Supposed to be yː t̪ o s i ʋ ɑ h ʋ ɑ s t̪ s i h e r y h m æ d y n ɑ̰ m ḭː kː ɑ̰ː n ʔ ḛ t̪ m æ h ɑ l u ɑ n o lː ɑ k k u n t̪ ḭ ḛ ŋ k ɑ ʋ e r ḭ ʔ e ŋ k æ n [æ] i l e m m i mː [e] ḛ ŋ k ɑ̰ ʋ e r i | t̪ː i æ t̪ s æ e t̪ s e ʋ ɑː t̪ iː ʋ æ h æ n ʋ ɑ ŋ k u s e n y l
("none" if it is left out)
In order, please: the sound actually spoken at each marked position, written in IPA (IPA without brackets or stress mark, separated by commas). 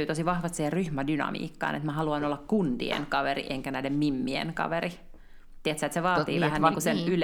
æ, i